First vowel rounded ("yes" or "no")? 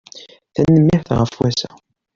no